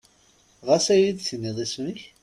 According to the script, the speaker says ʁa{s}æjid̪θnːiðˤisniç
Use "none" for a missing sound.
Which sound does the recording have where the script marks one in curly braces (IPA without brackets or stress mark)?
s